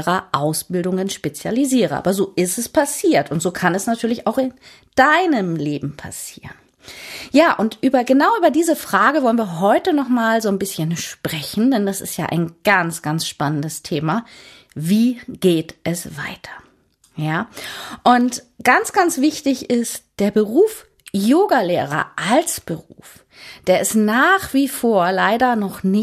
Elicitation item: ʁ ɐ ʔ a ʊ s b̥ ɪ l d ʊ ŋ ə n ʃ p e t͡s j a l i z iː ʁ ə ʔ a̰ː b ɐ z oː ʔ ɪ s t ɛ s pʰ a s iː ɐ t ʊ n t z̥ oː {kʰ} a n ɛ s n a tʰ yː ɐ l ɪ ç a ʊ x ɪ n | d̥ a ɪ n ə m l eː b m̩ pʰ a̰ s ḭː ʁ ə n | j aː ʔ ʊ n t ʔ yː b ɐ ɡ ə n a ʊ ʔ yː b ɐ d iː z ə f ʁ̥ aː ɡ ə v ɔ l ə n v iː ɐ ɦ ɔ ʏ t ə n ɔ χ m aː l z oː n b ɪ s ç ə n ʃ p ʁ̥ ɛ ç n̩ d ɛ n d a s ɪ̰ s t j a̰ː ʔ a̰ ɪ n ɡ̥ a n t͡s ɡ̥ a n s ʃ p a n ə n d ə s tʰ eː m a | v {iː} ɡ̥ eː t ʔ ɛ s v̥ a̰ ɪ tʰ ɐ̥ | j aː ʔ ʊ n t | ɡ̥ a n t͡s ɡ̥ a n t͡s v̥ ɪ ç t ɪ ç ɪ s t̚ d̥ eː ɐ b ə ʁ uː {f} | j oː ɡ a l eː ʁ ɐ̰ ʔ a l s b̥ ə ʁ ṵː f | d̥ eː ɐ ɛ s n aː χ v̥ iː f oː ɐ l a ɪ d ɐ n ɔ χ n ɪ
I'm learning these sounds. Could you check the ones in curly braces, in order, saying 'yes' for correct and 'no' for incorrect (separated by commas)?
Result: yes, yes, yes